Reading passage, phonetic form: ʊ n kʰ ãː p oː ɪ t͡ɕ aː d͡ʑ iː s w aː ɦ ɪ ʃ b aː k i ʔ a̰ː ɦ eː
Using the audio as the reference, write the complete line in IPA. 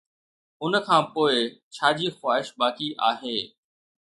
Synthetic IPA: ʊ n kʰ ãː p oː ɪ t͡ɕʰ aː d͡ʑ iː x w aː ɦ ɪ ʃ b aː k i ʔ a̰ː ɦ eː